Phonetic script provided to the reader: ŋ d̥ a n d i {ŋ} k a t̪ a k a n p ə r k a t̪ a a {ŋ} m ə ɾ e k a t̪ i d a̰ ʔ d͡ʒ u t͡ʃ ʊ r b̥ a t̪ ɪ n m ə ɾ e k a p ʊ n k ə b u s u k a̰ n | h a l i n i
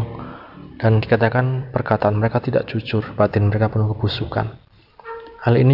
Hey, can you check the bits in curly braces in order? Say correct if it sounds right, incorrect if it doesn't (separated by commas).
incorrect, incorrect